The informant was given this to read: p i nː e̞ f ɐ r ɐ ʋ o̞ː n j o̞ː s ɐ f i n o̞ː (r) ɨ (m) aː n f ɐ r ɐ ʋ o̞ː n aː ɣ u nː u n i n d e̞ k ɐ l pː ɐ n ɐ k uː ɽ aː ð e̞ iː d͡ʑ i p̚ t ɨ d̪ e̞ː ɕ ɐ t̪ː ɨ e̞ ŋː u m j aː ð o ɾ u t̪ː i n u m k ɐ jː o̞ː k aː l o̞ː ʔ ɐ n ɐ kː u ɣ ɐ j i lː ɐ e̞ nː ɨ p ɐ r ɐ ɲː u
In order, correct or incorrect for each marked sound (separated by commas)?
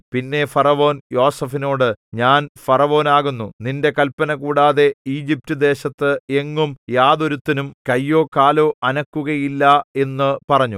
incorrect, incorrect